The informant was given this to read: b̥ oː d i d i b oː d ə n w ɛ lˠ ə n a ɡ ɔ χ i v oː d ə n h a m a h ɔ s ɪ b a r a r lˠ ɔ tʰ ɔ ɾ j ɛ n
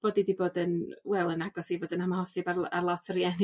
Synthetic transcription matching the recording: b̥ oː d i d i b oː d ə n w ɛ lˠ ə n a ɡ ɔ s i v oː d ə n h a m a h ɔ s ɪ b a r a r lˠ ɔ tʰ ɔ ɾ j ɛ n